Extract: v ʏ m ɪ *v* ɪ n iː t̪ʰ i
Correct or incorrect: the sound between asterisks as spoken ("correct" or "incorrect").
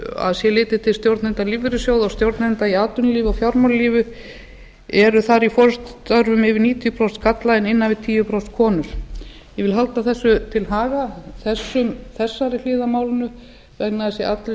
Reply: correct